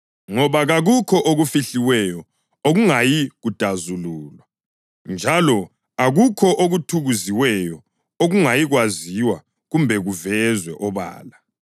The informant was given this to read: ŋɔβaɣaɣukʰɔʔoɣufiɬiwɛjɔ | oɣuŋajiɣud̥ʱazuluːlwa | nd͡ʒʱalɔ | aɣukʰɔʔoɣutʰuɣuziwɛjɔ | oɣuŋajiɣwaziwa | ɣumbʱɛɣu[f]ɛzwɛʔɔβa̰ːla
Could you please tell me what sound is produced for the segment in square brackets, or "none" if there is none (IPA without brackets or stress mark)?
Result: v